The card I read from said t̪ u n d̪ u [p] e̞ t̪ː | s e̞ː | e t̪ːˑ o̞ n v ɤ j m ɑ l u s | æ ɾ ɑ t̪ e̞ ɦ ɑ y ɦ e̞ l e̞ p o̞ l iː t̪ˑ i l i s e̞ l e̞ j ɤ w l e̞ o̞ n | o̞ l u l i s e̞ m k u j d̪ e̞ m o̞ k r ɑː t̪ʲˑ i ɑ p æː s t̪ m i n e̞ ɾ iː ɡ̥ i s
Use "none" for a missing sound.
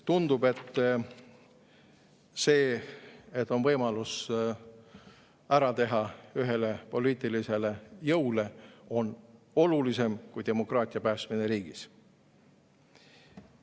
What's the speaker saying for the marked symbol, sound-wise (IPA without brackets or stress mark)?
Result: b